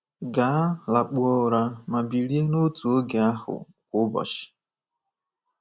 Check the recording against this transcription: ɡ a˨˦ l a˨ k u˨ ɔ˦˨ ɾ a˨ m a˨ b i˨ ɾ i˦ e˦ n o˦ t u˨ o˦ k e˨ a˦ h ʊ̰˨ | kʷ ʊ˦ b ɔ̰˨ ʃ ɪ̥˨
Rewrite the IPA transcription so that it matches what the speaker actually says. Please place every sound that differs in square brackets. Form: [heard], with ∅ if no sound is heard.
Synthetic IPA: ɡ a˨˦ l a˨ [k͡p] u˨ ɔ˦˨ ɾ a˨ m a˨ b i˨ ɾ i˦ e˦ n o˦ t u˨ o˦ [ɡ] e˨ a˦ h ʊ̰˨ | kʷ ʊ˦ b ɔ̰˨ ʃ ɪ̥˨